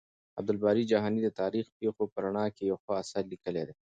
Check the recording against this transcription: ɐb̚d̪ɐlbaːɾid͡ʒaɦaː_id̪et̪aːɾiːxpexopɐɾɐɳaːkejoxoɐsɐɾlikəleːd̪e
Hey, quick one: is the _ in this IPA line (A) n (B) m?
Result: A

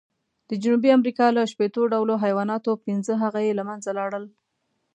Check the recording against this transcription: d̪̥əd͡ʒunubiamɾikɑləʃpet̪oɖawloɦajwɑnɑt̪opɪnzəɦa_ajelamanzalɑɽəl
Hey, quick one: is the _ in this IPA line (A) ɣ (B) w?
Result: A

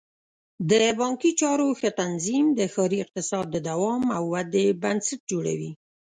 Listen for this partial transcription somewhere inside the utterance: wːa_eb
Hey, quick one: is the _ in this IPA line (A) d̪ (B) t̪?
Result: A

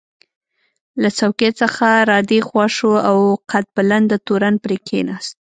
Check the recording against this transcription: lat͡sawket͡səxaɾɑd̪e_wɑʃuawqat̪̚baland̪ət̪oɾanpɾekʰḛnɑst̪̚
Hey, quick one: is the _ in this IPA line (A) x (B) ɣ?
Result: A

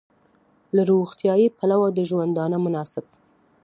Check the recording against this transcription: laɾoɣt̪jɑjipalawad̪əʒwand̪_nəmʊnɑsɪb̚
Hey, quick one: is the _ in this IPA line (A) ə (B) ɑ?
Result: B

